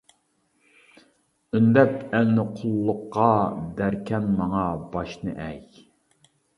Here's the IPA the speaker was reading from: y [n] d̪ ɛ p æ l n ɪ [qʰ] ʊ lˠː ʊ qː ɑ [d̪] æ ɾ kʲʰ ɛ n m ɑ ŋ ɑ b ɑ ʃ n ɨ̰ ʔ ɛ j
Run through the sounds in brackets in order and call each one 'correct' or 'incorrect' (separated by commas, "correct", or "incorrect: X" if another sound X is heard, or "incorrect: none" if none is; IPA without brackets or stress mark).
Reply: correct, correct, correct